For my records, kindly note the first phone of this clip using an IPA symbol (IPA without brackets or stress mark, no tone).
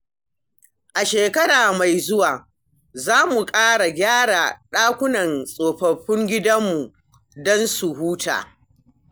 ʔ